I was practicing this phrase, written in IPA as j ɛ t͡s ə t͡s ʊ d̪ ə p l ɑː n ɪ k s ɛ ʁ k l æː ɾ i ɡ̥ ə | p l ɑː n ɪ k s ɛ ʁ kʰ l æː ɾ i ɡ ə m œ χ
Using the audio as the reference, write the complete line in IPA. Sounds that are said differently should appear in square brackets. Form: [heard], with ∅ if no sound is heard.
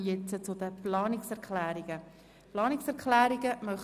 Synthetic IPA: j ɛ t͡s ə t͡s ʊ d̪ ə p l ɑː n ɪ k s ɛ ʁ k l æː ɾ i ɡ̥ ə | p l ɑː n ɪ k s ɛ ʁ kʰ l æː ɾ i ɡ ə m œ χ